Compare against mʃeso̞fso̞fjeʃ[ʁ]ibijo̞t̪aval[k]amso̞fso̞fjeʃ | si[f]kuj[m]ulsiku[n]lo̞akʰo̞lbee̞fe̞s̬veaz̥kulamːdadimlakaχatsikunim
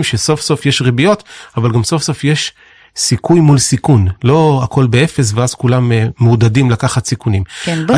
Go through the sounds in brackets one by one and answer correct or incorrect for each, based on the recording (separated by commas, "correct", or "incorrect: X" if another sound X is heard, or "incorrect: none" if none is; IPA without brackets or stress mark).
correct, incorrect: ɡ, incorrect: none, correct, correct